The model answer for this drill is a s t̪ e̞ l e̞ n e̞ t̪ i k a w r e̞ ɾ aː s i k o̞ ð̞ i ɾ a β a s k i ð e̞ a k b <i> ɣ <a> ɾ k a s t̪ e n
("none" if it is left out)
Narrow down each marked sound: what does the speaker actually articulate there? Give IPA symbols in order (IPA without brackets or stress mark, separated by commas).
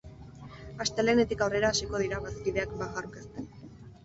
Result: a, a